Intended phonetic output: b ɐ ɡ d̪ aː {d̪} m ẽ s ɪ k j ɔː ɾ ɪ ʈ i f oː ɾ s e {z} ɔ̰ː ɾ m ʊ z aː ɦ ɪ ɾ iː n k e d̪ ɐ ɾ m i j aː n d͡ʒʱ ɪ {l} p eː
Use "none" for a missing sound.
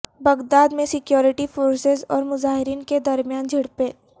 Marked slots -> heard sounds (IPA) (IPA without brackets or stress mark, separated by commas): d̪, z, ɽ